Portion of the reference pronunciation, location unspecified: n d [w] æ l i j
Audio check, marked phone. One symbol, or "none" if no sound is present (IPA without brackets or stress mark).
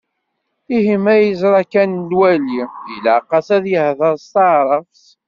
w